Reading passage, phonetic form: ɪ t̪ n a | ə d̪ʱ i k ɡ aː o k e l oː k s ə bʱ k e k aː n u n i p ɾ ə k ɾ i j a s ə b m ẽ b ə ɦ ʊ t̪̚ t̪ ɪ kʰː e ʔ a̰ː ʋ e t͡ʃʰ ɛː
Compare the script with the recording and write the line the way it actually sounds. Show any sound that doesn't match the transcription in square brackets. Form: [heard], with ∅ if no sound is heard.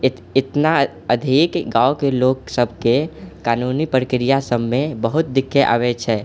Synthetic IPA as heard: ɪ t̪ n a | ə d̪ʱ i k ɡ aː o k e l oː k s ə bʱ k e k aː n u n i p ɾ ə k ɾ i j a s ə b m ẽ b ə ɦ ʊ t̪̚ [d̪] ɪ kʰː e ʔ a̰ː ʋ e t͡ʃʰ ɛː